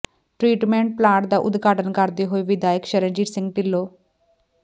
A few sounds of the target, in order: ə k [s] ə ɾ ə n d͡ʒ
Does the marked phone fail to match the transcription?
yes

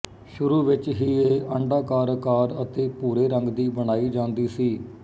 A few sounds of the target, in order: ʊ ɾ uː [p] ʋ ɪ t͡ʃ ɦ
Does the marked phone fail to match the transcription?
yes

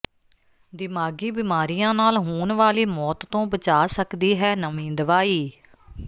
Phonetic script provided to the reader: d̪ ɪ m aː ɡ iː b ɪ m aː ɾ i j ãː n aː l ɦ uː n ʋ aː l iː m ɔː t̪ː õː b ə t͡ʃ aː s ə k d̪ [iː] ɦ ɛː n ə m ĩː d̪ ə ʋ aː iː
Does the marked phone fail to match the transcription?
no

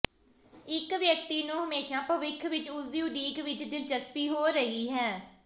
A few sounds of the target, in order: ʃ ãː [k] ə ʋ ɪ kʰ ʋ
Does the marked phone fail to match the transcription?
yes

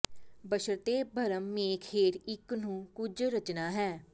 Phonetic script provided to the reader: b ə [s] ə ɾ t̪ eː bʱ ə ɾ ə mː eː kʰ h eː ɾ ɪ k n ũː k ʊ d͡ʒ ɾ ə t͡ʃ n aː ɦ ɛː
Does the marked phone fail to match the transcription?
yes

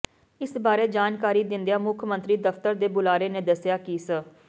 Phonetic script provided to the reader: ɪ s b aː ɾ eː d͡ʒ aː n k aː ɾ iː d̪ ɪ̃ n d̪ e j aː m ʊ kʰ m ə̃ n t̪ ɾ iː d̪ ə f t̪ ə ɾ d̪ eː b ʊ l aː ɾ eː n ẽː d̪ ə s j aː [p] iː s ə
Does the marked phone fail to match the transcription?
yes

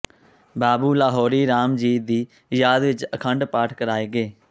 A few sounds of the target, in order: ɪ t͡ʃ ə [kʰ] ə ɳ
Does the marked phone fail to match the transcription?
no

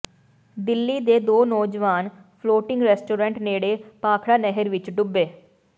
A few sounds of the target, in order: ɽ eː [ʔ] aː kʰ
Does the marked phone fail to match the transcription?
yes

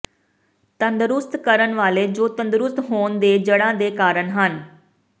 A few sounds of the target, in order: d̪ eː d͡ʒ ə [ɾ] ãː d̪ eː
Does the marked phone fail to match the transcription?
yes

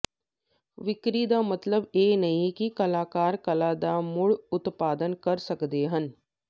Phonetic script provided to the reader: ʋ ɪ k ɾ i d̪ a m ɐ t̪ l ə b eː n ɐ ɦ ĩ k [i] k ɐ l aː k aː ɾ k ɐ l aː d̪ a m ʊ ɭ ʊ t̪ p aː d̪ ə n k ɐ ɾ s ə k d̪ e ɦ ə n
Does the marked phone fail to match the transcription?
no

